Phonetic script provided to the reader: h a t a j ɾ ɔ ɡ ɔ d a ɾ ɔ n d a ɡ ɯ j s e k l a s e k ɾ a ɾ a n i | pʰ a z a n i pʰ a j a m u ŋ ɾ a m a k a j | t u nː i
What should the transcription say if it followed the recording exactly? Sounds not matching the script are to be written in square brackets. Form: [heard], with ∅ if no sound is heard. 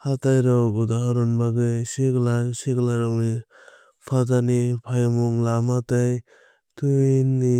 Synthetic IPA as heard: h a t a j ɾ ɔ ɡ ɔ d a ɾ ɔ n [b] a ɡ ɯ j s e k l a s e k [l] a ɾ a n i | pʰ a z a n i pʰ a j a m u ŋ [l] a m a [t] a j | t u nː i